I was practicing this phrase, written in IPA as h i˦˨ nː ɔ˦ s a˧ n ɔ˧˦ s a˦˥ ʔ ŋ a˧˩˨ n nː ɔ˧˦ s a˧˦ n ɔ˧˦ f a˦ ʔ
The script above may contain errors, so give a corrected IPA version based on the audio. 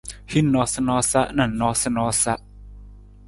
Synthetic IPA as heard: h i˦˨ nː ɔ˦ s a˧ n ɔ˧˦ s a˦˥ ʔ n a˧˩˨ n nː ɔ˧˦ s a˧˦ n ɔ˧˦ s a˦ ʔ

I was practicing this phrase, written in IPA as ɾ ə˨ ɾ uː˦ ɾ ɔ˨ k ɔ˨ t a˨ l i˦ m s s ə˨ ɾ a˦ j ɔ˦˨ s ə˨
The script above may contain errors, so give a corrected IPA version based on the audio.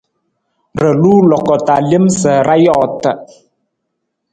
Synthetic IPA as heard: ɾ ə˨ l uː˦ l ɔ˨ k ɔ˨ t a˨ l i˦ m s s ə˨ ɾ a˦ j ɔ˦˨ t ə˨

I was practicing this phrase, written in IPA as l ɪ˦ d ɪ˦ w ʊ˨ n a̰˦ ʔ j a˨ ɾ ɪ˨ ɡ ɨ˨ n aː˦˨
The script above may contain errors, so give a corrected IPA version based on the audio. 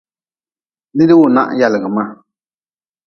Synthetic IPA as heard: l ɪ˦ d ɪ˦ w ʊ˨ n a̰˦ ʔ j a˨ l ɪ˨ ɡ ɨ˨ m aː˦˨

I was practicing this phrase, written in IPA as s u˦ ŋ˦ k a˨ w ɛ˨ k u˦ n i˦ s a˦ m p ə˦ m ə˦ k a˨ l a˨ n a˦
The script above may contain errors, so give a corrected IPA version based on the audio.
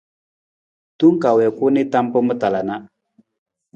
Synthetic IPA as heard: t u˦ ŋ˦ k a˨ w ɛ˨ k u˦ n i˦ t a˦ m p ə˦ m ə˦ t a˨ l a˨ n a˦

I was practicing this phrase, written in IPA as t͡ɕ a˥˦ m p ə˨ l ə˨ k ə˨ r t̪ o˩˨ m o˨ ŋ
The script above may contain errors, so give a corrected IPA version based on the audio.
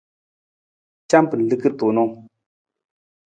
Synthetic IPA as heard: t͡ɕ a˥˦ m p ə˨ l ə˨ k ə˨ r t̪ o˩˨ n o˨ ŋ

